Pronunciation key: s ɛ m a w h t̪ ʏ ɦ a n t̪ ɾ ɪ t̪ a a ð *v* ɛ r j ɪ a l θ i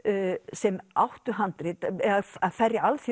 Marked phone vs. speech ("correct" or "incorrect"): incorrect